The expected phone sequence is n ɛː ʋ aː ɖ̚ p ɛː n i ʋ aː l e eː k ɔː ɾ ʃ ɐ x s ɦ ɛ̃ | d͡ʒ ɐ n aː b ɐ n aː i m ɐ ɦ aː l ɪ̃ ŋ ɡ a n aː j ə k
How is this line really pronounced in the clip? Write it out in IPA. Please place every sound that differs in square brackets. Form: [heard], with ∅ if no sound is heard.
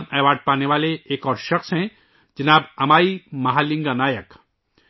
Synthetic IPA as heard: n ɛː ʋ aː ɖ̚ p [aː] n [e] ʋ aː l e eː k ɔː ɾ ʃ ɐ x s ɦ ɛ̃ | d͡ʒ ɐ n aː b ɐ [m] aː i m ɐ ɦ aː l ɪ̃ ŋ ɡ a n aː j ə k